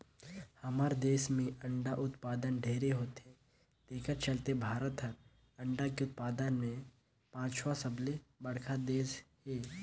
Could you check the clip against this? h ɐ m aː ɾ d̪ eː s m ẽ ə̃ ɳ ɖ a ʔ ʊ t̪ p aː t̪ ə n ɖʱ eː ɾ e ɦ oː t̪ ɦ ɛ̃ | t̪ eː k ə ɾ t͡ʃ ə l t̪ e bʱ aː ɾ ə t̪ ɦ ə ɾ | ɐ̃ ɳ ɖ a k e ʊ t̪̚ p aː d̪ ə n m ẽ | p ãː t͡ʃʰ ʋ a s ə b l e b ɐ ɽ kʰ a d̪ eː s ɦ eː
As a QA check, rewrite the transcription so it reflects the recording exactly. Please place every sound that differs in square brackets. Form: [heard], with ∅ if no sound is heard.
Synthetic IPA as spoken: h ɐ m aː ɾ d̪ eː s m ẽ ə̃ ɳ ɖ a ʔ ʊ t̪ p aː [d̪] ə n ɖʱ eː ɾ e ɦ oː t̪ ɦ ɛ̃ | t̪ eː k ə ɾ t͡ʃ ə l t̪ e bʱ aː ɾ ə t̪ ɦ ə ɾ | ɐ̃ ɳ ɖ a k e ʊ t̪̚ p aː d̪ ə n m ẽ | p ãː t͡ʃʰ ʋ a s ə b l e b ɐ ɽ kʰ a d̪ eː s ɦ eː